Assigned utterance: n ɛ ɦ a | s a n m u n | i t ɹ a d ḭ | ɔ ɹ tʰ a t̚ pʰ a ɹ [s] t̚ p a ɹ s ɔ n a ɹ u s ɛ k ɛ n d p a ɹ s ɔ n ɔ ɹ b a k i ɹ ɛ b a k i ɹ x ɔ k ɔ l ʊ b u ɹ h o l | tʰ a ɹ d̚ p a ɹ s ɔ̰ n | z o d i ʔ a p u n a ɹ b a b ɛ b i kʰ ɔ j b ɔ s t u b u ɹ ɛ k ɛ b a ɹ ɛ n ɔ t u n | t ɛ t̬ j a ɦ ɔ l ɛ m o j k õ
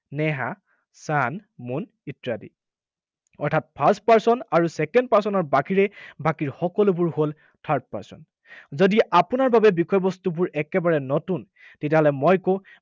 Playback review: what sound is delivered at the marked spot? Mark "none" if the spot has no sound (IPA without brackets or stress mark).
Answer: s